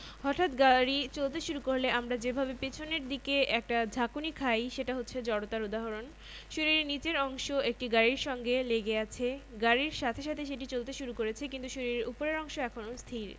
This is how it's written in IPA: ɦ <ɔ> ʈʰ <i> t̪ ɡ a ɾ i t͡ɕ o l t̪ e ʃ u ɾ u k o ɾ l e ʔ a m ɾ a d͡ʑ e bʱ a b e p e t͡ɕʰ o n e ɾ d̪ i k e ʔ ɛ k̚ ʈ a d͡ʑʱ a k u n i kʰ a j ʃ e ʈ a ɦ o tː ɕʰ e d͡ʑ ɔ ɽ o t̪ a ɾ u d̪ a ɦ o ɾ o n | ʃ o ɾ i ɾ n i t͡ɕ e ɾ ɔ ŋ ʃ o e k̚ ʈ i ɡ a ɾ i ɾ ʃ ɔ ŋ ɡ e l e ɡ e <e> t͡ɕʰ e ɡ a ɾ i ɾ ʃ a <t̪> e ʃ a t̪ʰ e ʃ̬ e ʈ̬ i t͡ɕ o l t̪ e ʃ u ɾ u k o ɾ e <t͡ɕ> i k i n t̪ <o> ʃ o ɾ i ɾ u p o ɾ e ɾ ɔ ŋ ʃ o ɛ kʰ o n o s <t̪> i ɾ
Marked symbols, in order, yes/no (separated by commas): yes, no, no, no, no, no, no